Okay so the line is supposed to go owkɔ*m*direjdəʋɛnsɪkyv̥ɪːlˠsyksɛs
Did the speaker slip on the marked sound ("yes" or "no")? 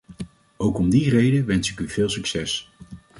no